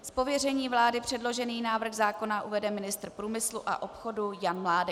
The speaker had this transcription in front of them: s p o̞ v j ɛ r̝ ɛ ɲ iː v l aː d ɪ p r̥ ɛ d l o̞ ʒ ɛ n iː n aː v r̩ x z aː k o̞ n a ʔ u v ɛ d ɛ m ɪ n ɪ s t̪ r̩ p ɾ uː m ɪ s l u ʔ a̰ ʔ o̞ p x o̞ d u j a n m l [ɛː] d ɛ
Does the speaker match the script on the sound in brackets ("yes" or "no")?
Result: no